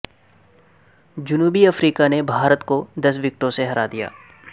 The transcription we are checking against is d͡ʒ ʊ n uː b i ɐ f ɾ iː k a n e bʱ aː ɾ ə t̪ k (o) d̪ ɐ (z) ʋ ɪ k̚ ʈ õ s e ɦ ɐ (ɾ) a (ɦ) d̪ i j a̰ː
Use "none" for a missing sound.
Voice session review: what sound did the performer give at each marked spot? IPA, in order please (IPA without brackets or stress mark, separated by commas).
o, s, ɾ, none